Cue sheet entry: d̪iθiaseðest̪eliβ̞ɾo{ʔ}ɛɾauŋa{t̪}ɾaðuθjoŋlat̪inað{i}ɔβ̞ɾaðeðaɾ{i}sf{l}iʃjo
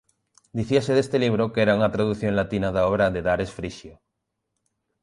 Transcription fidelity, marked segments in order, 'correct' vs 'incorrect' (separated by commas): incorrect, correct, incorrect, incorrect, incorrect